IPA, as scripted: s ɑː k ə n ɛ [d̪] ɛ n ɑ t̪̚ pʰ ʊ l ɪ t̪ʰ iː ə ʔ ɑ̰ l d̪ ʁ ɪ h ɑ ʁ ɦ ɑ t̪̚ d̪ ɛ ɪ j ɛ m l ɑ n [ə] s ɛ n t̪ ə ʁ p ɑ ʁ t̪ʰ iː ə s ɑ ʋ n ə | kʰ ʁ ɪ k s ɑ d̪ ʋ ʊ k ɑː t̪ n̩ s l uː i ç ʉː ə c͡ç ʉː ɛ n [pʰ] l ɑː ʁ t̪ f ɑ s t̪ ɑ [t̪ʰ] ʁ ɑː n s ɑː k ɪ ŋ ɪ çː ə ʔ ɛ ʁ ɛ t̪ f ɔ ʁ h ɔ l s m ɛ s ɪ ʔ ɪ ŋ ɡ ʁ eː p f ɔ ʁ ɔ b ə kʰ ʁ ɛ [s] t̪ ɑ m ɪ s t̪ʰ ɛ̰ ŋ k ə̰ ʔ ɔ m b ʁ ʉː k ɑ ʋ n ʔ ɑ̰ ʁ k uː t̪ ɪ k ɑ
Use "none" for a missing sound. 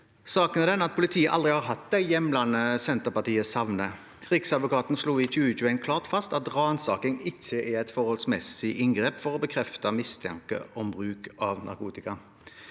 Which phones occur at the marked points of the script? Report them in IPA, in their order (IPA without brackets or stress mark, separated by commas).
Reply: d̪, ə, kʰ, t̪, f